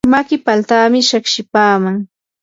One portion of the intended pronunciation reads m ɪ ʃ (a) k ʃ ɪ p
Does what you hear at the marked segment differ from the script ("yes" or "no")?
no